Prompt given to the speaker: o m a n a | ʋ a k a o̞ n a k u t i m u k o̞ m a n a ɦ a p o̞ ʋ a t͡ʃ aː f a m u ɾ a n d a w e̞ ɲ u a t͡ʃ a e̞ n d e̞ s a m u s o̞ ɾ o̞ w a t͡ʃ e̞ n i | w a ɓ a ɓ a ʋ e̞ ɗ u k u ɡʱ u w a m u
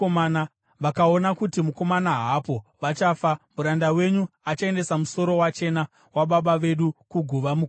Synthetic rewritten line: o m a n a | ʋ a k a o̞ n a k u t i m u k o̞ m a n a ɦ a p o̞ ʋ a t͡ʃ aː f a m u ɾ a n d a w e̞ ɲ u a t͡ʃ a e̞ n d e̞ s a m u s o̞ ɾ o̞ w a t͡ʃ e̞ n a | w a ɓ a ɓ a ʋ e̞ ɗ u k u ɡʱ u ʋ a m u